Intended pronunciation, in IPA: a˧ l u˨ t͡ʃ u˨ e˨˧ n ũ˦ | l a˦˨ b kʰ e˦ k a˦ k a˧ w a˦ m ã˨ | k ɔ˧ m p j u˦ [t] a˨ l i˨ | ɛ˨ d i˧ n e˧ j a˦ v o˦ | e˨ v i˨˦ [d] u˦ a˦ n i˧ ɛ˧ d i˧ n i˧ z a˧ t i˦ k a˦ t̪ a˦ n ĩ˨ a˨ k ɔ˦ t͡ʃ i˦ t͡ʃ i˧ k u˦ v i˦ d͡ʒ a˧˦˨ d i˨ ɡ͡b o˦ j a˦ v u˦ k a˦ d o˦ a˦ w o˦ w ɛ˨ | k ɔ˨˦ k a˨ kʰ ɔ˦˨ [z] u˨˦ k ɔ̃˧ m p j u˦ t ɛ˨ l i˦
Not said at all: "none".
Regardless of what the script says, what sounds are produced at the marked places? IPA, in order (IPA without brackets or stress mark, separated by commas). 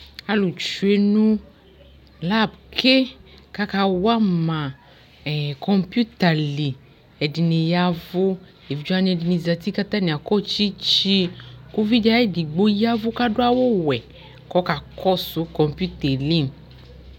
t, d͡ʒ, s